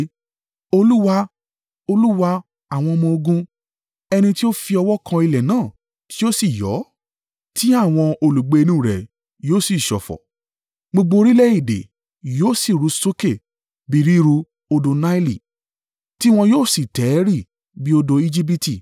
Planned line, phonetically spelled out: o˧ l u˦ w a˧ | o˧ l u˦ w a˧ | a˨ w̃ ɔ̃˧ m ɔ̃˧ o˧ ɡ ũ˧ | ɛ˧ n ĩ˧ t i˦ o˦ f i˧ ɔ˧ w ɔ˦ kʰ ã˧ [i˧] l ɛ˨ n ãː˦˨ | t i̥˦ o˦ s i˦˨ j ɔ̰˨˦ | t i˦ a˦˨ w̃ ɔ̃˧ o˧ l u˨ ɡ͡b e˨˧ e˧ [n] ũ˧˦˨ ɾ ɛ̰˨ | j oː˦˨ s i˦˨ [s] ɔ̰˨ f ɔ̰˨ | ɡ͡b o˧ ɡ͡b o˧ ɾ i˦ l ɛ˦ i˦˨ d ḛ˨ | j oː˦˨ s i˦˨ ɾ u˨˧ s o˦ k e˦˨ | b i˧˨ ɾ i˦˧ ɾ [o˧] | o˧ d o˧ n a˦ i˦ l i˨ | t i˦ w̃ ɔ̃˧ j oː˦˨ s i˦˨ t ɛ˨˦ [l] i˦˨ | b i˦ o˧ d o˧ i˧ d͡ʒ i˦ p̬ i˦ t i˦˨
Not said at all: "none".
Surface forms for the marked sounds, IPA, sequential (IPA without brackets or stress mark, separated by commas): i˧, n, ʃ, u˧, ɾ